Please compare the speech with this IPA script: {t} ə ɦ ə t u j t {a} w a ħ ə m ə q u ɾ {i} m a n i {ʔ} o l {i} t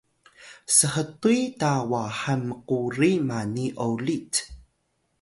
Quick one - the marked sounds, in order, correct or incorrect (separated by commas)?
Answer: incorrect, correct, correct, correct, correct